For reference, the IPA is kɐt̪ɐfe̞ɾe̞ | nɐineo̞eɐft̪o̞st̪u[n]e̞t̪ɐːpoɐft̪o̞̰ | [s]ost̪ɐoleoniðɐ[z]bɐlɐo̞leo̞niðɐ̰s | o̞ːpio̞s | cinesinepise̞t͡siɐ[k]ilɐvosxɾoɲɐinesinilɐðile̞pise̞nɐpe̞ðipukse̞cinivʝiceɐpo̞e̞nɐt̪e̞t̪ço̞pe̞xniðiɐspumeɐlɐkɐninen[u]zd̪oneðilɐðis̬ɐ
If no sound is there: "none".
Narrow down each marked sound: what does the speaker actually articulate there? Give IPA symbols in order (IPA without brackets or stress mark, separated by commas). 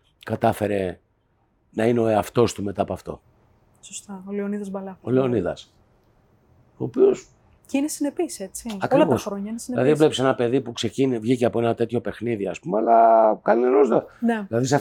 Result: m, s, z, k, o